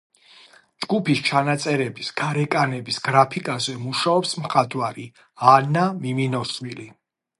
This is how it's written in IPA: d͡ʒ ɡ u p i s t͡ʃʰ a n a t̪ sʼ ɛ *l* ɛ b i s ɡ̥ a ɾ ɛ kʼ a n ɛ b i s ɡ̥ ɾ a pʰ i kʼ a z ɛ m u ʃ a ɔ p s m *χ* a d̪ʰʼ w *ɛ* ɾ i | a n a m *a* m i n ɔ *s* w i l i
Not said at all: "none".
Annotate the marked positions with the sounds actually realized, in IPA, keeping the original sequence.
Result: ɾ, χ, a, i, s

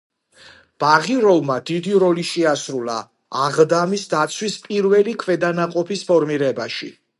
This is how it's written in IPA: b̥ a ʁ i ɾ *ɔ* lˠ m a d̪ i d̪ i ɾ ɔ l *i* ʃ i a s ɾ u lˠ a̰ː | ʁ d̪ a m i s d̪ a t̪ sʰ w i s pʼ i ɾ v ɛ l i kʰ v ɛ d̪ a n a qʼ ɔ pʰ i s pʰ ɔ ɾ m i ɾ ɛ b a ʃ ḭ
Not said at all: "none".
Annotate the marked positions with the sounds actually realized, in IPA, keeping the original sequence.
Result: ɔ, i

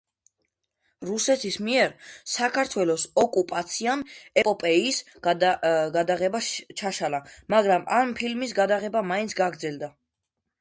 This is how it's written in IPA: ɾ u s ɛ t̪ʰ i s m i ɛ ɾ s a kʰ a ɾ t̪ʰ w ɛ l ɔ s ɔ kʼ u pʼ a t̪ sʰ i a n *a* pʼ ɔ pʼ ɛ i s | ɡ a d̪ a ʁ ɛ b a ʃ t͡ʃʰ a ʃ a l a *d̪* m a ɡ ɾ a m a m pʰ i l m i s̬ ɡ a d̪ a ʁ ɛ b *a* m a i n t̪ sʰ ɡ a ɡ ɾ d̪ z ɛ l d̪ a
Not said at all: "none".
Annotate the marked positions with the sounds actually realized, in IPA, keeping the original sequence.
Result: ɛ, none, a

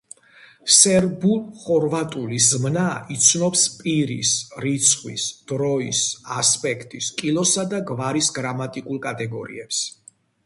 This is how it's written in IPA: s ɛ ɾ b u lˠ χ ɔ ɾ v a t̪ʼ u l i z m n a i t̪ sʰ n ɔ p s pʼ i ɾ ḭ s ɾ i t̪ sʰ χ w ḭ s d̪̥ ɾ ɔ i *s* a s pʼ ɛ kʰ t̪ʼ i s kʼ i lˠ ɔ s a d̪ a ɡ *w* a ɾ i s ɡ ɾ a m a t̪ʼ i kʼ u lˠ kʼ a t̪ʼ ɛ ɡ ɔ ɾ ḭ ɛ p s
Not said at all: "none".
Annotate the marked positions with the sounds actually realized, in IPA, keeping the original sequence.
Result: s, v

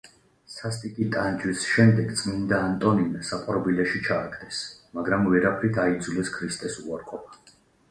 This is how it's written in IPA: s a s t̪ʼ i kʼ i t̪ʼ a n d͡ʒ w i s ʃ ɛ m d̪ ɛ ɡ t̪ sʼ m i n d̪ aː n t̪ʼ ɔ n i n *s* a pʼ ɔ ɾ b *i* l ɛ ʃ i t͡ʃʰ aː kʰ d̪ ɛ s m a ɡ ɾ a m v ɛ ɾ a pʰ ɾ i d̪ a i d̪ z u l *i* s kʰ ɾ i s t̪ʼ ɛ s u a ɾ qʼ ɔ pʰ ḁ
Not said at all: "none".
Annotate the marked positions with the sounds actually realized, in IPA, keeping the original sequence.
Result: s, i, ɛ

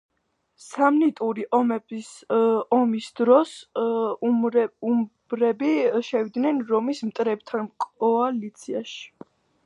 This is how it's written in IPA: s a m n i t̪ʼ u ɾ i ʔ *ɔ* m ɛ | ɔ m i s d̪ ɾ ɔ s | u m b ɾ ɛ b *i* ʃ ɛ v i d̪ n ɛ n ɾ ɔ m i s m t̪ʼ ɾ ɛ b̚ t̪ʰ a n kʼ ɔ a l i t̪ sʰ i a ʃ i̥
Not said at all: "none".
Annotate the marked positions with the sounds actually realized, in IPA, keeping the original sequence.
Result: ɔ, i

